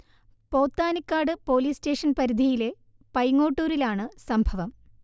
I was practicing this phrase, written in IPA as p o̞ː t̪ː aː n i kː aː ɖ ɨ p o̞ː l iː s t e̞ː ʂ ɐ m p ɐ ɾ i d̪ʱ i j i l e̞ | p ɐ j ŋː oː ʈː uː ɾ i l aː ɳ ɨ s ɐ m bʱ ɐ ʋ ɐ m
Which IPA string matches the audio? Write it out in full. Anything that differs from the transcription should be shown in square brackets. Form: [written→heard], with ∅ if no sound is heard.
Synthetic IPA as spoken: p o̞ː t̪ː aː n i kː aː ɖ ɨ p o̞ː l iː s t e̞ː ʂ ɐ [m→n] p ɐ ɾ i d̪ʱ i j i l e̞ | p ɐ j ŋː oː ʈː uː ɾ i l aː ɳ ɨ s ɐ m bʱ ɐ ʋ ɐ m

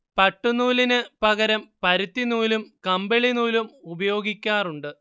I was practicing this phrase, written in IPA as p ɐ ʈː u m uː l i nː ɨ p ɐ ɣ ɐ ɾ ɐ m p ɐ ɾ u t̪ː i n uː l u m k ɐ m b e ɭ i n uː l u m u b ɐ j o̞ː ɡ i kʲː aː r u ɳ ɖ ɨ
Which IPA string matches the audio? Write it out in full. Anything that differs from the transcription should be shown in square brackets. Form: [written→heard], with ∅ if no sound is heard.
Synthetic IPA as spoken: p ɐ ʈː u [m→n] uː l i [nː→n] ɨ p ɐ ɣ ɐ ɾ ɐ m p ɐ ɾ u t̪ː i n uː l u m k ɐ m b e ɭ i n uː l u m u b ɐ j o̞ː ɡ i kʲː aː r u ɳ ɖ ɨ

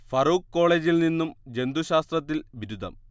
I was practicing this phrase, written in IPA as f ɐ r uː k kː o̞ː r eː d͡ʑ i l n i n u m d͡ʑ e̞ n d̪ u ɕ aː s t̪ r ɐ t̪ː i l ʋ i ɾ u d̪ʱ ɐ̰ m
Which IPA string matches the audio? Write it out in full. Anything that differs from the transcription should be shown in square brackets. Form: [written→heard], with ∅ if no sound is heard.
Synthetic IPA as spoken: f ɐ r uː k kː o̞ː [r→ɭ] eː d͡ʑ i l n i [n→nː] u m d͡ʑ e̞ n d̪ u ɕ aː s t̪ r ɐ t̪ː i l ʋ i ɾ u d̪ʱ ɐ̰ m

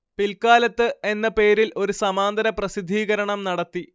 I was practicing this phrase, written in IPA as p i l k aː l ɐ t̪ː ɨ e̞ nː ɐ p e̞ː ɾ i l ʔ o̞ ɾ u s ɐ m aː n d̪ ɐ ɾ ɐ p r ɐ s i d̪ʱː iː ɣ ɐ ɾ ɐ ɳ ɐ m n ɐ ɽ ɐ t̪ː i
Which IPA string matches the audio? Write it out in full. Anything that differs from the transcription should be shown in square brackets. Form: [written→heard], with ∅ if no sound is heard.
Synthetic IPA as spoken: p i l k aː l ɐ t̪ː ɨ e̞ nː ɐ p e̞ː ɾ i l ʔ o̞ ɾ u s ɐ m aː n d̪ ɐ ɾ ɐ p r ɐ s i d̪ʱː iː ɣ ɐ ɾ ɐ ɳ ɐ m n ɐ ɽ ɐ t̪ː i

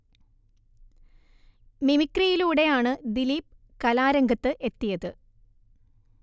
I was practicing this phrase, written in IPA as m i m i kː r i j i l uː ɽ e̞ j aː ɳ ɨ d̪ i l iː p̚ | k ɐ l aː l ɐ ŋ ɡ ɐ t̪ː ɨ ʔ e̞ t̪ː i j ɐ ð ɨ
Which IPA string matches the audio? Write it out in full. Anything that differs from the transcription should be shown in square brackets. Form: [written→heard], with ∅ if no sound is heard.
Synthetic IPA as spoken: m i m i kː r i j i l uː ɽ e̞ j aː ɳ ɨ d̪ i l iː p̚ | k ɐ l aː [l→ɾ] ɐ ŋ ɡ ɐ t̪ː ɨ ʔ e̞ t̪ː i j ɐ ð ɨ

